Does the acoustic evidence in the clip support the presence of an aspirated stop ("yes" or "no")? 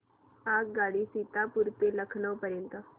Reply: yes